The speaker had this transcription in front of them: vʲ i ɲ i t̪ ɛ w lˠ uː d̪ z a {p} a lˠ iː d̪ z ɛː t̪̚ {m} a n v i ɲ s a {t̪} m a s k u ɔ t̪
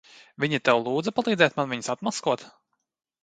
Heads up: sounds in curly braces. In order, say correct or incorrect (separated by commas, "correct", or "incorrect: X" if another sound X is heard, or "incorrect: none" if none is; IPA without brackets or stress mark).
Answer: correct, correct, correct